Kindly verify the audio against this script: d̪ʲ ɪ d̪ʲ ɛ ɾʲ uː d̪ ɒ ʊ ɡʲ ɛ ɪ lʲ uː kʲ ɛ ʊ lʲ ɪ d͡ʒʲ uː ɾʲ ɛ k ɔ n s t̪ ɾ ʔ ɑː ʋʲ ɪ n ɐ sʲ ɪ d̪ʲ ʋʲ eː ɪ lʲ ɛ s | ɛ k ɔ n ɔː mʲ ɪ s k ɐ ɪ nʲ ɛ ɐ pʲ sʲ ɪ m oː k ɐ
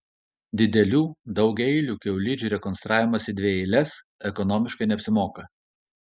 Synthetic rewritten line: d̪ʲ ɪ d̪ʲ ɛ lʲ uː d̪ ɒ ʊ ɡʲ ɛ ɪ lʲ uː kʲ ɛ ʊ lʲ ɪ d͡ʒʲ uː ɾʲ ɛ k ɔ n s t̪ ɾ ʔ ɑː ʋʲ ɪ m ɐ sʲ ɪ d̪ʲ ʋʲ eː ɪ lʲ ɛ s | ɛ k ɔ n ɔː mʲ ɪ ʃ k ɐ ɪ nʲ ɛ ɐ pʲ sʲ ɪ m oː k ɐ